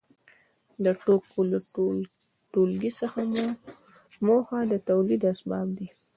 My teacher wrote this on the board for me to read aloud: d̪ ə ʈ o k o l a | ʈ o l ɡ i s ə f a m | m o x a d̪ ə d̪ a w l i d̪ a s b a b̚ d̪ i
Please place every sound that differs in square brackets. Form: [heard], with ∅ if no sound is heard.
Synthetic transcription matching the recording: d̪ ə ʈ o k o l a | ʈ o l ɡ i s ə [x] a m | m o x a d̪ ə [t̪] a w l i d̪ a s b [ɑ] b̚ d̪ i